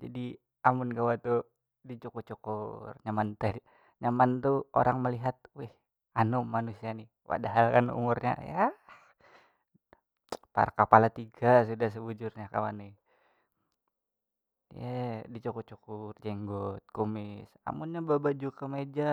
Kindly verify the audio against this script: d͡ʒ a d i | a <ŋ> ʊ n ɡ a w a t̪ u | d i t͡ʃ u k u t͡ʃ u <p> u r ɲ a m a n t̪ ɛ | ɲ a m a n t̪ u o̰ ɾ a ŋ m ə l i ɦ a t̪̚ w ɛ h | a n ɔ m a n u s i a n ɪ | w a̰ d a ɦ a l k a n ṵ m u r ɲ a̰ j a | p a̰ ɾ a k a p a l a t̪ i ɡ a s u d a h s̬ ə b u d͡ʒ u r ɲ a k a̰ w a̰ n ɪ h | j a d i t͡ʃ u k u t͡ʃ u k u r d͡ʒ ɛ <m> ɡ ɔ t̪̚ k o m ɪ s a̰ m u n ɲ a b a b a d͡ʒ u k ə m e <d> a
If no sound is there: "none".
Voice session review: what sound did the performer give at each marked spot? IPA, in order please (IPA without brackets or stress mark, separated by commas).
m, k, ŋ, d͡ʒ